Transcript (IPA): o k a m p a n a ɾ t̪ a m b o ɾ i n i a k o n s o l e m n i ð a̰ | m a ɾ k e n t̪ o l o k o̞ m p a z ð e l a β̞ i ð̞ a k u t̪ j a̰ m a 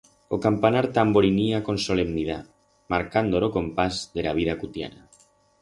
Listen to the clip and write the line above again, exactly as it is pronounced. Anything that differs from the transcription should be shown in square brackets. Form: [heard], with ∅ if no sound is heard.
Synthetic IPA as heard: o k a m p a n a ɾ t̪ a m b o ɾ i n i a k o n s o l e m n i ð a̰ | m a ɾ k [a] n [d̪] o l o k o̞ m p a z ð e l a β̞ i ð̞ a k u t̪ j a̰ [n] a